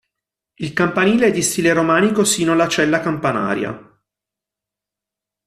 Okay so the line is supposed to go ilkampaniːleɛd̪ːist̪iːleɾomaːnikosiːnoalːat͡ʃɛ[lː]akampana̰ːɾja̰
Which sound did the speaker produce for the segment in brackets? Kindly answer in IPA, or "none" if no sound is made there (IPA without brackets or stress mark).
lː